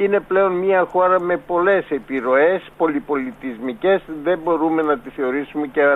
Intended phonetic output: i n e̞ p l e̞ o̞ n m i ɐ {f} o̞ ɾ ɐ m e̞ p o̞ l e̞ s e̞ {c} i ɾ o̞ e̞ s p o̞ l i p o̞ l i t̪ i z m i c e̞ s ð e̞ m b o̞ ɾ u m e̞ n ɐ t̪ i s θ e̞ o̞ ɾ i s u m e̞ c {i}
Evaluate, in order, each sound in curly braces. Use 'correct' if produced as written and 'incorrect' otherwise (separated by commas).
incorrect, incorrect, incorrect